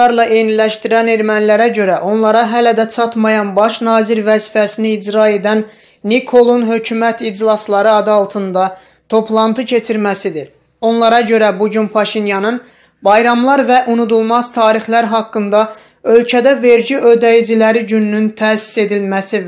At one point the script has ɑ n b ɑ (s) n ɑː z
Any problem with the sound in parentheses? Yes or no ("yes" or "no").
yes